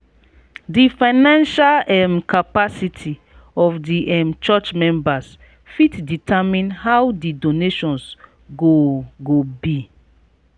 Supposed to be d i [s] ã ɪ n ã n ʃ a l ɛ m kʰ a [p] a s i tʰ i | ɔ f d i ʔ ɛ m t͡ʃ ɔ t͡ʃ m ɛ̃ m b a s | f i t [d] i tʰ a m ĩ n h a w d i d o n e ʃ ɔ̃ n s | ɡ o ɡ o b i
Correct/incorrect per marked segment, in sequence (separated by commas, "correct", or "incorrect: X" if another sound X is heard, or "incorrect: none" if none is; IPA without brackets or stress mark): incorrect: f, correct, correct